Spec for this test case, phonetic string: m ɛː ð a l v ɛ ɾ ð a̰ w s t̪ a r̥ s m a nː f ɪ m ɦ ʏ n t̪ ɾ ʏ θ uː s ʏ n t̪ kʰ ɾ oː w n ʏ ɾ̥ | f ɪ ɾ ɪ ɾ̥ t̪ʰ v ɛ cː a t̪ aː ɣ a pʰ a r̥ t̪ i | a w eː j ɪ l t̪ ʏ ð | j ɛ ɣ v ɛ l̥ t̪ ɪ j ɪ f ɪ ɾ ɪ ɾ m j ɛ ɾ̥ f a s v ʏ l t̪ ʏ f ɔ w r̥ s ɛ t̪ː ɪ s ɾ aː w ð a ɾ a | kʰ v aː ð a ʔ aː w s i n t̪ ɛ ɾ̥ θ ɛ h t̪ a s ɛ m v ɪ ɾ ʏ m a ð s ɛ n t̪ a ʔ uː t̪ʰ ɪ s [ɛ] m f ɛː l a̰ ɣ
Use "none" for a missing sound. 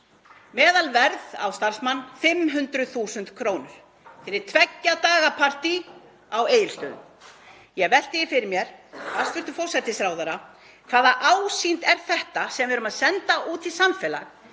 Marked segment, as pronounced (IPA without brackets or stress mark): a